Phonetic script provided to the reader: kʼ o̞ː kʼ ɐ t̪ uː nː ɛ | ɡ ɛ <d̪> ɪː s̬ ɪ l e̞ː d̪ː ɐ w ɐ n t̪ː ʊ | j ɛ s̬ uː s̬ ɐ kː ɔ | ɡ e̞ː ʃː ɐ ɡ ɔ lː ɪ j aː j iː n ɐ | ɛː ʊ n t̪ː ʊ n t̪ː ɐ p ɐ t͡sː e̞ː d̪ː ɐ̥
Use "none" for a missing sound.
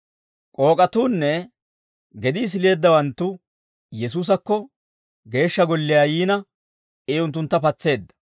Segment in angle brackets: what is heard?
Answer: d̪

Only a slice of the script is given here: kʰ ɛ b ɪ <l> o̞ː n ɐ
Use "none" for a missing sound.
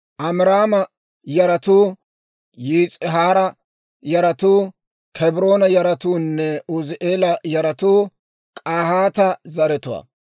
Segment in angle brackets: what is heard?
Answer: ɾ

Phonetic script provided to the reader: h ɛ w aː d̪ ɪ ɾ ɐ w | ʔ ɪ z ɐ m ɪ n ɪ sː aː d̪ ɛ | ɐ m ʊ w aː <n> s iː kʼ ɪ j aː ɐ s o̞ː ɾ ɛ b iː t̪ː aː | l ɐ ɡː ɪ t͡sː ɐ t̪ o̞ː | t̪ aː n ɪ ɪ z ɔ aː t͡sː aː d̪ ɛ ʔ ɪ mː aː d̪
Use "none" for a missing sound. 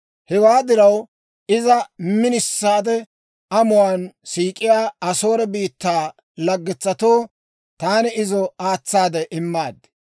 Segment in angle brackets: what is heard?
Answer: n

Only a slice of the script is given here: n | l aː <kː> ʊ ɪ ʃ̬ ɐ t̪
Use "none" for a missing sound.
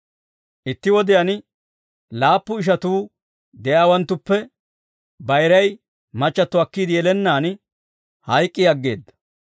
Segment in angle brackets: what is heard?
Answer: pː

